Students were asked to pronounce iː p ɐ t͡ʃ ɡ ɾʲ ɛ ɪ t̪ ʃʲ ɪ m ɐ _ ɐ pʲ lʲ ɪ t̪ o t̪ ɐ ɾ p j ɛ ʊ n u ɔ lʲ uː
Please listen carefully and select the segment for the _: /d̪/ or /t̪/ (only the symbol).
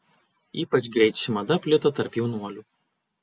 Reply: d̪